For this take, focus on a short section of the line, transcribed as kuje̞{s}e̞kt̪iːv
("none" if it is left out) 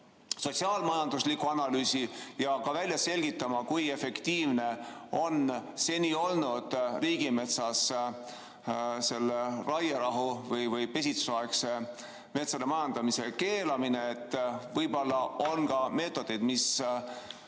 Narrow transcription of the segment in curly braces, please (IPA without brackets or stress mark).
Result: f